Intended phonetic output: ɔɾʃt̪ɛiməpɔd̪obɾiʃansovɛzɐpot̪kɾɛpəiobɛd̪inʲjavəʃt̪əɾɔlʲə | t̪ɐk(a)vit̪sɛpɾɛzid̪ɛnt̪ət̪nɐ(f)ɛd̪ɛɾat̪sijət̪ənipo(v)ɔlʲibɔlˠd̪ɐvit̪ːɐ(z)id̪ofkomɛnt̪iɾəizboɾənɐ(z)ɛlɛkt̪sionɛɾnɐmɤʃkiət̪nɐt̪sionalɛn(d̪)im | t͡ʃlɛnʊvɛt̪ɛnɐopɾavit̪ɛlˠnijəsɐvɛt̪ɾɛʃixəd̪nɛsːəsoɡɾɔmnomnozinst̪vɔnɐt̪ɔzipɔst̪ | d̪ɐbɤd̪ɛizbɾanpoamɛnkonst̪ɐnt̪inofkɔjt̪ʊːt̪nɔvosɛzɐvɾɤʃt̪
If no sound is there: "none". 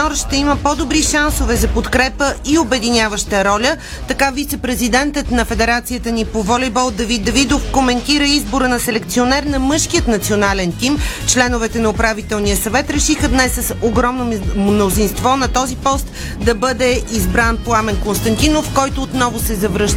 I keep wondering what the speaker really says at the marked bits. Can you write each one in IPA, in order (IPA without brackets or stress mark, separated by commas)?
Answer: a, f, v, v, s, t̪